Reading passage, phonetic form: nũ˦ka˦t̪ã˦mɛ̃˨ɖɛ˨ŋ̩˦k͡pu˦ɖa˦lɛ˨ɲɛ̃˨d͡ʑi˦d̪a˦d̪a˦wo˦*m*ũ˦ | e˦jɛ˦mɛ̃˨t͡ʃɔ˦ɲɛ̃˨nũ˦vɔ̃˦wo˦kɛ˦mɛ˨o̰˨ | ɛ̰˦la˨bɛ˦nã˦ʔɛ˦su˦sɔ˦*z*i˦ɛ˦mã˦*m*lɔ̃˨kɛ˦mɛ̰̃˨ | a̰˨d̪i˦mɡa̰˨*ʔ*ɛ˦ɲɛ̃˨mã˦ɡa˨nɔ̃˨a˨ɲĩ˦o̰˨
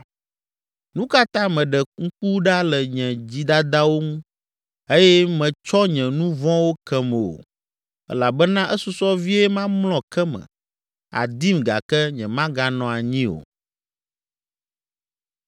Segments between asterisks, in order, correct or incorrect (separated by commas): incorrect, incorrect, correct, incorrect